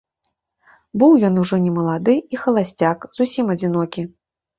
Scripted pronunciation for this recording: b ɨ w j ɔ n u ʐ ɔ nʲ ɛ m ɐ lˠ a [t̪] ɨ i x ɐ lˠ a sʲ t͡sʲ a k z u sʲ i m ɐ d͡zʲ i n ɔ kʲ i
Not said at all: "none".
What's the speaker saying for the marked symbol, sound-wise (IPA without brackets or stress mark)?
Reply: d̪